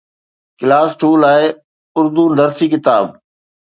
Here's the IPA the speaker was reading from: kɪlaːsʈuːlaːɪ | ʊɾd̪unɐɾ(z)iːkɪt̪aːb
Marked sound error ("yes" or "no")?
yes